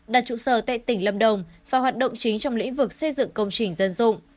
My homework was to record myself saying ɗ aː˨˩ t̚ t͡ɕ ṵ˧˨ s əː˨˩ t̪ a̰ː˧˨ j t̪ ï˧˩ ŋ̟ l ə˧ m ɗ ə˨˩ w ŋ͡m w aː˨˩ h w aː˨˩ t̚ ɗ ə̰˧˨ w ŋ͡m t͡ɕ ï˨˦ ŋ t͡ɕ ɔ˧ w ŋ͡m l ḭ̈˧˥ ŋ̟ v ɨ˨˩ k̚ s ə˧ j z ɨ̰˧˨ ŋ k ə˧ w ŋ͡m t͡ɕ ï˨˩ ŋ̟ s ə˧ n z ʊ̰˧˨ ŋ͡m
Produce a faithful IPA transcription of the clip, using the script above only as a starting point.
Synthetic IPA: ɗ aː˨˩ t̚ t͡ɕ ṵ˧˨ s əː˨˩ t̪ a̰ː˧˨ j t̪ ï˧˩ ŋ̟ l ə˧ m ɗ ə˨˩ w ŋ͡m v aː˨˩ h w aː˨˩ t̚ ɗ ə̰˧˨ w ŋ͡m t͡ɕ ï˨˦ ŋ t͡ɕ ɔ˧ w ŋ͡m l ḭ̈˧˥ ŋ̟ v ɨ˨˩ k̚ s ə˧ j z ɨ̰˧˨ ŋ k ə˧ w ŋ͡m t͡ɕ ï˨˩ ŋ̟ z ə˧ n z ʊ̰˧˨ ŋ͡m